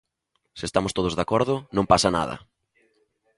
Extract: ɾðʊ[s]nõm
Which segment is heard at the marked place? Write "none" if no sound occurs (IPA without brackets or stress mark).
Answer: none